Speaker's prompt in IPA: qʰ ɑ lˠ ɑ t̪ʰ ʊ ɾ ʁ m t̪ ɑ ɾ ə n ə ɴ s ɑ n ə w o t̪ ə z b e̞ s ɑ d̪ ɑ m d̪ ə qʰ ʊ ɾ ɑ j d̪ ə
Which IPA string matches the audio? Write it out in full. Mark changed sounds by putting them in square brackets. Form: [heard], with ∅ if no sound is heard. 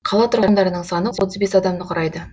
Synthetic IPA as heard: qʰ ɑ lˠ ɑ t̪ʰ ʊ ɾ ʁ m [d̪] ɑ ɾ ə n ə ɴ s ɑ n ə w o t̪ ə z b e̞ s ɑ d̪ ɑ m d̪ ə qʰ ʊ ɾ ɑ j d̪ ə